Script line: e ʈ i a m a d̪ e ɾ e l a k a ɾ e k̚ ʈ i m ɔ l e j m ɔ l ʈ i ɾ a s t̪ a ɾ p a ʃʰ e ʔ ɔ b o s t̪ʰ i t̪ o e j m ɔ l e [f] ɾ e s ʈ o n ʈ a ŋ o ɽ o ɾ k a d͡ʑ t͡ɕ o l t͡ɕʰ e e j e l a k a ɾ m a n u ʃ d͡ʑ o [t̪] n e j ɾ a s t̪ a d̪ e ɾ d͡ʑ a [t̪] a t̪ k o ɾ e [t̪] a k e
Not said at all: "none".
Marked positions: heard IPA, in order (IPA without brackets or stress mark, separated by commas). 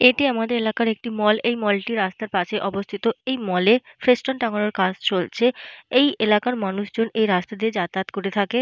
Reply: f, none, t̪, t̪ʰ